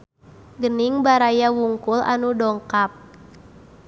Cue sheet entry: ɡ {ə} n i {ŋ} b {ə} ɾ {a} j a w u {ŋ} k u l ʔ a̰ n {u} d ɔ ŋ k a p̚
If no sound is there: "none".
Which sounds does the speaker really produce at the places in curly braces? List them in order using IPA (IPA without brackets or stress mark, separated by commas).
ə, ŋ, a, a, ŋ, u